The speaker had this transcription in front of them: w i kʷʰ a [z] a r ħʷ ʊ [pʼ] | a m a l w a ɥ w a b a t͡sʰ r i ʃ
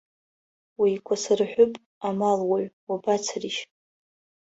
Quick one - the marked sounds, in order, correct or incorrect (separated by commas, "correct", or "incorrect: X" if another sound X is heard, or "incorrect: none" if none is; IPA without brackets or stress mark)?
incorrect: s, correct